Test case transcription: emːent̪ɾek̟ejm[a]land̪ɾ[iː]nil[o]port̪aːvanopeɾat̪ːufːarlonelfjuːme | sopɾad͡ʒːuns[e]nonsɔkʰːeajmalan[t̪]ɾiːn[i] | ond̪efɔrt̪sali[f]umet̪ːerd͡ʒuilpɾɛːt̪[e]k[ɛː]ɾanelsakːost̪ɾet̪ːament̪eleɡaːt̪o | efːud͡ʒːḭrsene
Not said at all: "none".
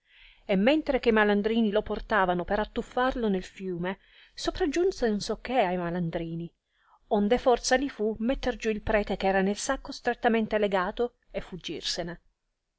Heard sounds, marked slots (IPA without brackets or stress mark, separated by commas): a, iː, o, e, d̪, i, f, e, ɛː